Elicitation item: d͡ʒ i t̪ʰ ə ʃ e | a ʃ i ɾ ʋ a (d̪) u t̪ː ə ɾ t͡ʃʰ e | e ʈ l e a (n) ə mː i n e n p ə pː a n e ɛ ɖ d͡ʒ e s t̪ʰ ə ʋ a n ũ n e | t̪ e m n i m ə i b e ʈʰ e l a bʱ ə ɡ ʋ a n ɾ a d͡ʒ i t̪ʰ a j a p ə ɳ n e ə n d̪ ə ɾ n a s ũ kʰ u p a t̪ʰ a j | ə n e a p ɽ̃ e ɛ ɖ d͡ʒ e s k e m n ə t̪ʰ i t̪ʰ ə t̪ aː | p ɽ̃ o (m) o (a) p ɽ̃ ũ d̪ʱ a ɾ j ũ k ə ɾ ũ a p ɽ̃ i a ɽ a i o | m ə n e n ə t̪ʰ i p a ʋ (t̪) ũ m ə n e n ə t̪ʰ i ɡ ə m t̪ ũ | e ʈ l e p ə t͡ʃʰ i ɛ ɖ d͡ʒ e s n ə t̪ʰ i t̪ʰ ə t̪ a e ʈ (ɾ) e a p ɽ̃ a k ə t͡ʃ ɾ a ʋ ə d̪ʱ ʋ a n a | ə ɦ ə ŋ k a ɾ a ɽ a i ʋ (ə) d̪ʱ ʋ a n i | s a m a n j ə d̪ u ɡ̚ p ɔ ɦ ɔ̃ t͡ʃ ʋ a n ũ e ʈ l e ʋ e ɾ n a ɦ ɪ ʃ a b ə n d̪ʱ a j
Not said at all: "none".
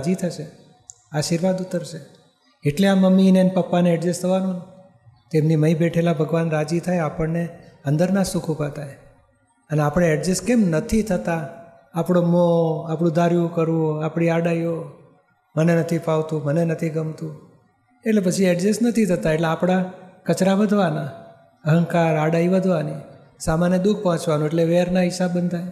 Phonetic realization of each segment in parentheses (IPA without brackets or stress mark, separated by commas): d̪, m, m, a, t̪, l, ə